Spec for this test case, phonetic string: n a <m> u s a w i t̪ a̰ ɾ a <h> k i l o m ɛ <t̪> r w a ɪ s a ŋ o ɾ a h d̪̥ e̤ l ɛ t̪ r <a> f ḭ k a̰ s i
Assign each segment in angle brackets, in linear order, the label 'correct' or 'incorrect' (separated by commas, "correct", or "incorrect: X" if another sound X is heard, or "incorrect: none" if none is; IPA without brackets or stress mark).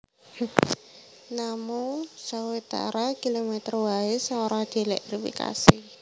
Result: correct, incorrect: none, correct, incorrect: i